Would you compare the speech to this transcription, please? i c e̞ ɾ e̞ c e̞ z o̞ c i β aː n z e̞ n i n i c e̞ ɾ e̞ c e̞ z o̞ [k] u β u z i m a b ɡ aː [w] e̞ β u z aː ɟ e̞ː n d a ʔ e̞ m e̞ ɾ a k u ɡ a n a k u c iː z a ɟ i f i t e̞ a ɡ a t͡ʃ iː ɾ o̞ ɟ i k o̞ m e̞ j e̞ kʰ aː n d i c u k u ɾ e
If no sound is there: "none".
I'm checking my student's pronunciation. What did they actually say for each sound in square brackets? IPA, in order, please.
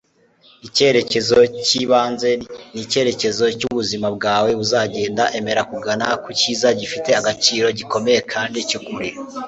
c, w

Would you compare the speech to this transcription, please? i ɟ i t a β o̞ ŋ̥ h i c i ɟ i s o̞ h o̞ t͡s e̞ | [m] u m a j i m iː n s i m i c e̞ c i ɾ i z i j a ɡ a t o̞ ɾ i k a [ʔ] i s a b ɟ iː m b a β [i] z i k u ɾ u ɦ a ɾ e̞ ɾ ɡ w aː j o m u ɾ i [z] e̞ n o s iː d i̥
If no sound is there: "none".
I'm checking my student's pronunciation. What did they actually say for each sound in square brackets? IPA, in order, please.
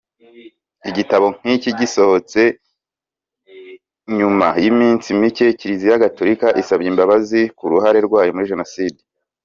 ɲ, ʔ, a, ʒ

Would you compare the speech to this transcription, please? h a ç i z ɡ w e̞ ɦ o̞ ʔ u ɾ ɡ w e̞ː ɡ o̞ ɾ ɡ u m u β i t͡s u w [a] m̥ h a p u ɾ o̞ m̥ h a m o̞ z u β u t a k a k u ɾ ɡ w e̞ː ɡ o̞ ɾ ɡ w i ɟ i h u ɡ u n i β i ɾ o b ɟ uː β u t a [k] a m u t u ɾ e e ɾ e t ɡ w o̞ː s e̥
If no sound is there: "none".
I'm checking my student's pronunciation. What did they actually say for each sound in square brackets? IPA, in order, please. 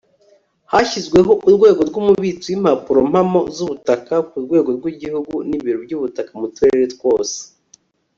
i, k

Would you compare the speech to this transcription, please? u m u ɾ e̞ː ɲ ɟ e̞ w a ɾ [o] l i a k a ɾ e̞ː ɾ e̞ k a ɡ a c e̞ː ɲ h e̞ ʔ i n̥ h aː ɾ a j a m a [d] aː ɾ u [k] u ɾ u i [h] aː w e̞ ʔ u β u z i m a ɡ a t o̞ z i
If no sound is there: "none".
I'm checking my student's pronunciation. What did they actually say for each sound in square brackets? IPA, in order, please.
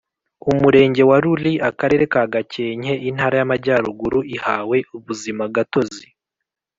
u, ɟ, ɡ, h

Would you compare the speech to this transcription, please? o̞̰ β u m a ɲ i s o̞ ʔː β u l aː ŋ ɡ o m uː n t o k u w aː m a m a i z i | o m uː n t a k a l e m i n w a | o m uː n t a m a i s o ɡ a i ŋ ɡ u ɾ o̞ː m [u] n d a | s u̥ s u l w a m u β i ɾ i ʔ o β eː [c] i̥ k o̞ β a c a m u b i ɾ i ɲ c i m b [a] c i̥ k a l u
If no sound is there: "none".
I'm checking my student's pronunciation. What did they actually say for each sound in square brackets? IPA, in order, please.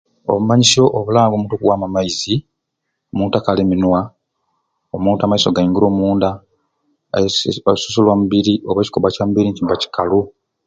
uː, c, a

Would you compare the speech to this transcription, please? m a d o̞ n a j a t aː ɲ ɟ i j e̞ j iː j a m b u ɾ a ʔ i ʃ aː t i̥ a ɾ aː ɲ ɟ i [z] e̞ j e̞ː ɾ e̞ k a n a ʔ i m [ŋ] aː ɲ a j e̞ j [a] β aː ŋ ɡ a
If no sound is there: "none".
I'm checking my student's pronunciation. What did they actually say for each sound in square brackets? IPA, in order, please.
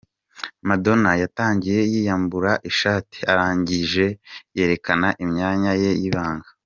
ʒ, ɲ, i

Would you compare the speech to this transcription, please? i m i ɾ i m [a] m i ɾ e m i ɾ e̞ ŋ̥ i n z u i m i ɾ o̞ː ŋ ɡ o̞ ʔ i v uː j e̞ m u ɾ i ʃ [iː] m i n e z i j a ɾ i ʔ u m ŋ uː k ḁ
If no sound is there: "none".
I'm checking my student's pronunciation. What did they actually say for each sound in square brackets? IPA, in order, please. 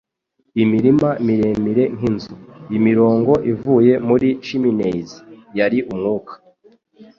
a, i

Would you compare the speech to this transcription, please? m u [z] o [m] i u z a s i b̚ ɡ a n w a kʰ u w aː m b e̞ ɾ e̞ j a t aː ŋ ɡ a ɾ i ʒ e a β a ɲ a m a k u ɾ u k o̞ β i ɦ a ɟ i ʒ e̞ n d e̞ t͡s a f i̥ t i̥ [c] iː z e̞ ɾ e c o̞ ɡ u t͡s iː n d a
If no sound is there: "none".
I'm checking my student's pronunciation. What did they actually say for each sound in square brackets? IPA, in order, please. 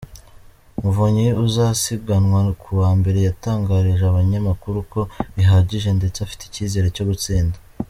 v, ɲ, c

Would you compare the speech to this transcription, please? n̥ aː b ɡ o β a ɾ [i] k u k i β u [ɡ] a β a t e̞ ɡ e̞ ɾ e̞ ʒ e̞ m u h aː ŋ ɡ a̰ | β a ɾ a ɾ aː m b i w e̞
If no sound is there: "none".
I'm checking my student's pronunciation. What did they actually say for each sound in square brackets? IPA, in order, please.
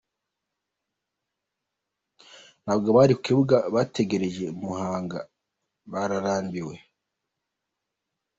i, ɡ

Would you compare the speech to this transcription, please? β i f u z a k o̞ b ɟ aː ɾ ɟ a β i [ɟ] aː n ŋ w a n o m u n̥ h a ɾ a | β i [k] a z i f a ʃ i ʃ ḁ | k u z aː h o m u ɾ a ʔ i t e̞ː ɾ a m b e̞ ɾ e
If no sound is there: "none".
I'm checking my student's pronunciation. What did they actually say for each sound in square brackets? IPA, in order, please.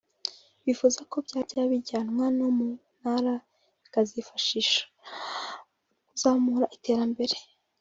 ɟ, k

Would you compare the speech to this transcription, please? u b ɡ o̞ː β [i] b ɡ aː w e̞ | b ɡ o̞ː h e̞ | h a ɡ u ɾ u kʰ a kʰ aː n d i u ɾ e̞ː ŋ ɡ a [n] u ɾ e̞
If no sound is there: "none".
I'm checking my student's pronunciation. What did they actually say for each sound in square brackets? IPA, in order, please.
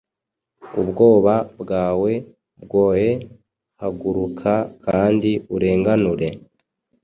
a, n

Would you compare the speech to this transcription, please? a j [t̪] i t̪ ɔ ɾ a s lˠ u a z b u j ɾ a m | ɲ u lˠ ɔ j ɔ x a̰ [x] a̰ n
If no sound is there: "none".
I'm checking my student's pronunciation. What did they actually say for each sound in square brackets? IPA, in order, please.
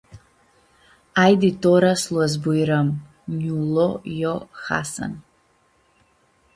d̪, s

